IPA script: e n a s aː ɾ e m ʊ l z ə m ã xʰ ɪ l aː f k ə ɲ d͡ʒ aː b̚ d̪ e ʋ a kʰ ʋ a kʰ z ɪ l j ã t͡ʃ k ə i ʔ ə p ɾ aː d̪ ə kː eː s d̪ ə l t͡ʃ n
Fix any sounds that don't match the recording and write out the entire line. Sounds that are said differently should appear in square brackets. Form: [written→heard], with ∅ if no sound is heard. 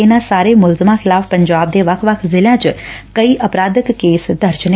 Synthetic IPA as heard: e n a s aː ɾ e m ʊ l z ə m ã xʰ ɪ l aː f [k→p] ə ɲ d͡ʒ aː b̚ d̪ e ʋ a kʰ ʋ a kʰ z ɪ l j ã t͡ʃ k ə i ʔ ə p ɾ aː d̪ ə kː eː s d̪ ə [l→ɾ] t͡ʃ n